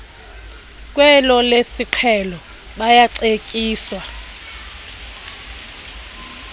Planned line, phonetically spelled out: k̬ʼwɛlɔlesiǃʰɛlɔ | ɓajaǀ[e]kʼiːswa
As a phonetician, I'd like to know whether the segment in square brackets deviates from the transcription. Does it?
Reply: no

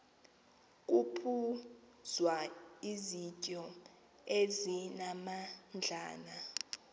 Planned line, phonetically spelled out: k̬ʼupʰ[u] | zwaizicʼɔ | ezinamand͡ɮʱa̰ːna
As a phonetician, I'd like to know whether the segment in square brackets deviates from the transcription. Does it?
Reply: no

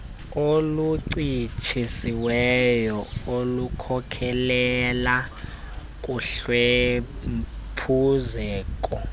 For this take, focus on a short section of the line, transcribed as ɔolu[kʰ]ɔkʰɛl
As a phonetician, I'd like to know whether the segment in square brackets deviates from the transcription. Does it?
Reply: no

